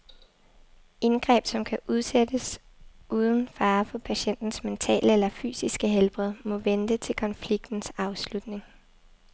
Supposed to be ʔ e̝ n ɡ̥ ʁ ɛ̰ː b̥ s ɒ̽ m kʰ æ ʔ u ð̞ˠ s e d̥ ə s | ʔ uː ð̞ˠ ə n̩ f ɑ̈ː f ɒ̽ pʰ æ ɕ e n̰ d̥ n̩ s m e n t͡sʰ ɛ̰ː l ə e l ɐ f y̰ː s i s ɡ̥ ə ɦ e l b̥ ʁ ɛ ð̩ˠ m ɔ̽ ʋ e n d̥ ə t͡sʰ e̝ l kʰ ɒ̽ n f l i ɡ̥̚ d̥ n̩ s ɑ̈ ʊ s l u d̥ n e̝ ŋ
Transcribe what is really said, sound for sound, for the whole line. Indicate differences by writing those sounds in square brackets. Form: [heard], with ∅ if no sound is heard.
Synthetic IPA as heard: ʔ e̝ n ɡ̥ ʁ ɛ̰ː b̥ s ɒ̽ m kʰ æ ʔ u ð̞ˠ s e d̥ ə s | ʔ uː ð̞ˠ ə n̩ f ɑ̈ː f ɒ̽ pʰ æ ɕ e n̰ d̥ n̩ s m e n t͡sʰ ɛ̰ː l ə e l ɐ f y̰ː s i s ɡ̥ ə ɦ e l b̥ ʁ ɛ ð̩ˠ m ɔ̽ ʋ e n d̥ ə t͡sʰ e̝ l kʰ ɒ̽ n f l i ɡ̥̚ d̥ n̩ s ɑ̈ ʊ s l u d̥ n e̝ ŋ